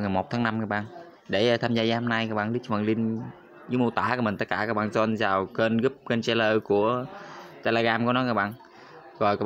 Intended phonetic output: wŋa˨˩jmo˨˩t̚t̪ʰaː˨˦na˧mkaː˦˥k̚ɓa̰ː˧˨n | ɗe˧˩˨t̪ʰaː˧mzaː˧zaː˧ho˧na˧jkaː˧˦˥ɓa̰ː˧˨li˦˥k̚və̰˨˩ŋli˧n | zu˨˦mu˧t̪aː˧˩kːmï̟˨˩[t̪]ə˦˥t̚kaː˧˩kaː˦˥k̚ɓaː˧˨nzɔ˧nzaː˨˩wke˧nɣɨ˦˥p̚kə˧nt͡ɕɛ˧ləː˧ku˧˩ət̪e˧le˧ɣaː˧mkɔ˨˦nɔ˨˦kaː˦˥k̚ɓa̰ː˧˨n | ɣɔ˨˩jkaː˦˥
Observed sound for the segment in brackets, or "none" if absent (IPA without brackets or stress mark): t̪